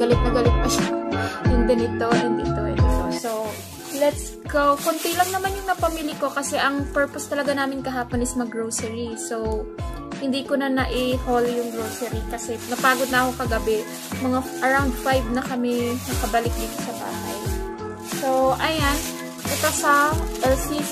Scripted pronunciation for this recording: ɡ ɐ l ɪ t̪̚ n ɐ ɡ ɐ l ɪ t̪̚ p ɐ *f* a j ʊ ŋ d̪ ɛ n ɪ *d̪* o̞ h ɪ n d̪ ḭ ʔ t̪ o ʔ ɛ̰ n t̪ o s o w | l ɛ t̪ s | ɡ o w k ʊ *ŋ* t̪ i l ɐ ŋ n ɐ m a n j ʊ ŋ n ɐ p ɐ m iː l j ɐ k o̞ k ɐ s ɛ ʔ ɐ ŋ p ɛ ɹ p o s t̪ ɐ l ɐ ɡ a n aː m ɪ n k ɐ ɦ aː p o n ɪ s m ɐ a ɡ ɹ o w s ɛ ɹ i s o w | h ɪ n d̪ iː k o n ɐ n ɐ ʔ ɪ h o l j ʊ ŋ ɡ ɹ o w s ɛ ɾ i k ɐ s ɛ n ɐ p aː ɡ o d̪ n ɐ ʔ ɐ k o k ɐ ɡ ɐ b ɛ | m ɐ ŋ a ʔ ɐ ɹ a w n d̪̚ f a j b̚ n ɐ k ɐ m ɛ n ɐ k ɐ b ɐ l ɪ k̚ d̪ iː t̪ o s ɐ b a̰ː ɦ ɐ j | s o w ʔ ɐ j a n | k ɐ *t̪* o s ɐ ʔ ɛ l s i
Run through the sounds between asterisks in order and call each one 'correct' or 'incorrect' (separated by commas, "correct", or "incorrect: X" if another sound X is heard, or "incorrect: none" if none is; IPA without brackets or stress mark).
incorrect: ʃ, incorrect: t̪, incorrect: n, correct